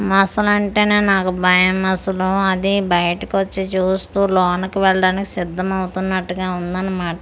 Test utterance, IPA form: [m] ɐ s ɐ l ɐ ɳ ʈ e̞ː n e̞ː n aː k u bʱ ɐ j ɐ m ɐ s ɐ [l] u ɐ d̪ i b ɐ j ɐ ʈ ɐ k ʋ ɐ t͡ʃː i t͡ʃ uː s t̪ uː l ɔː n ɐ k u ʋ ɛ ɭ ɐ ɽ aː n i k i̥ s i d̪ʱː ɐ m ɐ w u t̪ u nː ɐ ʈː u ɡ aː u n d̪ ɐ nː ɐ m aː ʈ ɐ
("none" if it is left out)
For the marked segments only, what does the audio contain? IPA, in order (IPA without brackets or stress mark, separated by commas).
m, l